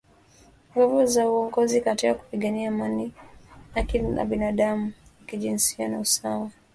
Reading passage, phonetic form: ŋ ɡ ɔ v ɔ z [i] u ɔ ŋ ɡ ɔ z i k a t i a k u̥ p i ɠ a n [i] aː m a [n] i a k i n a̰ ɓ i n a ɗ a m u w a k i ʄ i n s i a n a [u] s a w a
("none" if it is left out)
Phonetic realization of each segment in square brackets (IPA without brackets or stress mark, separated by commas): a, i, n, u